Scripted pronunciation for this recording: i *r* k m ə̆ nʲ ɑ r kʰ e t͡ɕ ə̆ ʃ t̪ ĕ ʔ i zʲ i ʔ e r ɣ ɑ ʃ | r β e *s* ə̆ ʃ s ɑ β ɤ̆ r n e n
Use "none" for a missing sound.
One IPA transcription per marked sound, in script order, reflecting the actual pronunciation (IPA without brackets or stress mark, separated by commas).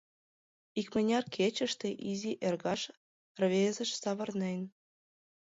none, z